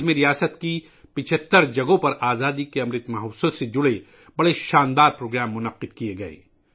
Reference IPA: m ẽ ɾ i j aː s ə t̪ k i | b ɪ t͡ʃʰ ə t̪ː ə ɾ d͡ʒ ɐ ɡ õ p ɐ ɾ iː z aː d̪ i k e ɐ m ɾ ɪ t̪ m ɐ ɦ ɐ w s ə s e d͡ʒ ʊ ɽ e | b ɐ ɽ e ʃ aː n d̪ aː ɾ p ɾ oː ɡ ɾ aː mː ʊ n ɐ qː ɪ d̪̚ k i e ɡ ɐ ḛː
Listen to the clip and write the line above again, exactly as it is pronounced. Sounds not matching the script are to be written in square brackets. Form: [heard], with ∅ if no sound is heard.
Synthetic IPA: m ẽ ɾ i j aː s ə t̪ k i | [p] ɪ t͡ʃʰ ə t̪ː ə ɾ d͡ʒ ɐ ɡ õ p ɐ ɾ [aː] z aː d̪ i k e ɐ m ɾ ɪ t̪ m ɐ ɦ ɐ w s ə s e d͡ʒ ʊ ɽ e | b ɐ ɽ e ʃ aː n d̪ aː ɾ p ɾ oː ɡ ɾ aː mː ʊ n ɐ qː ɪ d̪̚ k i e ɡ ɐ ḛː

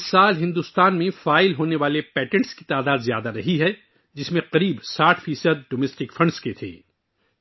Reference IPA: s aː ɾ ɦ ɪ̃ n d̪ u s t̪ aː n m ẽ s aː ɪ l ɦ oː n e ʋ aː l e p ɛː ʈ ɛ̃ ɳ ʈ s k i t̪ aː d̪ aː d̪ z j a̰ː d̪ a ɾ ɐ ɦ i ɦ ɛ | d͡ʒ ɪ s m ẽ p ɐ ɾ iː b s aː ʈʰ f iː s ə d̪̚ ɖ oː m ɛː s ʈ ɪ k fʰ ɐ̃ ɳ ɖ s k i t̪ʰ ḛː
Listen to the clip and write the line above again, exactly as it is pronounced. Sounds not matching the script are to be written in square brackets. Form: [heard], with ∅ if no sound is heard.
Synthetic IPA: s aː [l] ɦ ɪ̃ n d̪ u s t̪ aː n m ẽ [f] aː ɪ l ɦ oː n e ʋ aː l e p ɛː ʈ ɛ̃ ɳ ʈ s k i t̪ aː d̪ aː d̪ z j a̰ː d̪ a ɾ ɐ ɦ i ɦ ɛ | d͡ʒ ɪ s m ẽ [q] ɐ ɾ iː b s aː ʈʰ f iː s ə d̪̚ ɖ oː m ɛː s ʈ ɪ k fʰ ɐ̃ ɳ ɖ s k [e] t̪ʰ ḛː

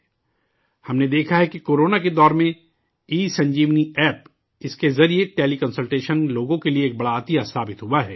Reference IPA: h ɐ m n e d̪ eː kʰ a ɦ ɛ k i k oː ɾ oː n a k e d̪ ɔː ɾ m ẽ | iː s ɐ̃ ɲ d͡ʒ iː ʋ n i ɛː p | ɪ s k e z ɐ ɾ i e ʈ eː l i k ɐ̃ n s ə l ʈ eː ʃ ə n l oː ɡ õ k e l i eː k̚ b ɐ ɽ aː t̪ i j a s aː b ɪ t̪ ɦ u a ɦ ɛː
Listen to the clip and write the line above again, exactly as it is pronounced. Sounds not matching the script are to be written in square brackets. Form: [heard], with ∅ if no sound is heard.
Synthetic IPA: h ɐ m n e d̪ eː kʰ a ɦ ɛ k i k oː ɾ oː n a k e d̪ ɔː ɾ m ẽ | iː s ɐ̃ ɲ d͡ʒ iː ʋ n i ɛː p | ɪ s k e z ɐ ɾ i e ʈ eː l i k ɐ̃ n s ə l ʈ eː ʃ ə n l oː ɡ õ k e l i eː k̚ b ɐ ɽ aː t̪ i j a s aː b ɪ t̪ ɦ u a ɦ ɛː

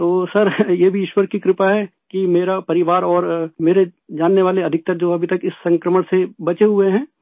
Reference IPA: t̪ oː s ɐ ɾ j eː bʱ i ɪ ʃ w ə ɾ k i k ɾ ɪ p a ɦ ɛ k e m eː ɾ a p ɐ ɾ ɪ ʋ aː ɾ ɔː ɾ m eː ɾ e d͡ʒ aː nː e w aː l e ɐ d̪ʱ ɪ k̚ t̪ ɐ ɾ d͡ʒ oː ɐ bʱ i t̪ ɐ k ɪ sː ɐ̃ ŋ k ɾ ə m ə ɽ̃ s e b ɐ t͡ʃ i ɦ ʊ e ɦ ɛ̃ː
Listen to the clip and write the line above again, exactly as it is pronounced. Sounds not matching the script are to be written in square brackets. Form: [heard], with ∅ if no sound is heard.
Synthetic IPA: t̪ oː s ɐ ɾ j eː bʱ i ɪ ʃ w ə ɾ k i k ɾ ɪ p a ɦ ɛ k [i] m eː ɾ a p ɐ ɾ ɪ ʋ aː ɾ ɔː ɾ m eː ɾ e d͡ʒ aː nː e [ʋ] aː l e ɐ d̪ʱ ɪ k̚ t̪ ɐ ɾ d͡ʒ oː ɐ bʱ i t̪ ɐ k ɪ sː ɐ̃ ŋ k ɾ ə m ə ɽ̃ s e b ɐ t͡ʃ [e] ɦ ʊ e ɦ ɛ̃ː

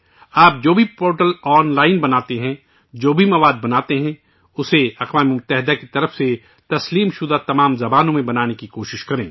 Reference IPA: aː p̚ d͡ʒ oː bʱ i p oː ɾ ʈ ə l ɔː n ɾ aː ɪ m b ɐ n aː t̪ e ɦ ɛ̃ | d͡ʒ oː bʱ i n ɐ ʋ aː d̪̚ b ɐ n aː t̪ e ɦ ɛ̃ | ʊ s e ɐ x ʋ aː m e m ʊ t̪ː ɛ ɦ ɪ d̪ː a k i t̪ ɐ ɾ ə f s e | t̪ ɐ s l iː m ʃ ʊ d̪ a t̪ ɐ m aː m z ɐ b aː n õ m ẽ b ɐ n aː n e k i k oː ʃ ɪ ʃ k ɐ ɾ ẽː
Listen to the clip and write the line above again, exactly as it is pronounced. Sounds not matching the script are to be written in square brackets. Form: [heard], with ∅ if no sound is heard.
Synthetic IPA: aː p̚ d͡ʒ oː bʱ i p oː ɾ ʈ ə l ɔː n [l] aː ɪ [n] b ɐ n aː t̪ e ɦ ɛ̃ | d͡ʒ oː bʱ i [m] ɐ ʋ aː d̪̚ b ɐ n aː t̪ e ɦ ɛ̃ | ʊ s e ɐ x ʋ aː m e m ʊ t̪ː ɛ ɦ ɪ [d̪] a k i t̪ ɐ ɾ ə f s e | t̪ ɐ s l iː m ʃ ʊ d̪ a t̪ ɐ m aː m z ɐ b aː n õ m ẽ b ɐ n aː n e k i k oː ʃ ɪ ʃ k ɐ ɾ ẽː

